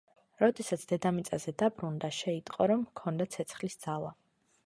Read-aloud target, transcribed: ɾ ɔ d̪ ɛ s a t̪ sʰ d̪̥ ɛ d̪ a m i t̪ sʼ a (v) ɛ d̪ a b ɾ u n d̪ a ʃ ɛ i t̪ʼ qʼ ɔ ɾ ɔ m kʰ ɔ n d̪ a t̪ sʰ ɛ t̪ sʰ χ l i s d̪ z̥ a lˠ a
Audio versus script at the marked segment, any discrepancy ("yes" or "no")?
yes